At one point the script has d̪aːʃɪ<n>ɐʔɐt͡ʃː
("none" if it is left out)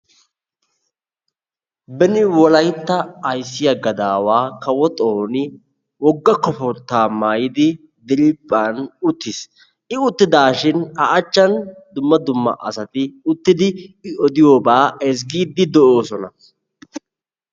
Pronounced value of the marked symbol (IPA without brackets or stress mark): n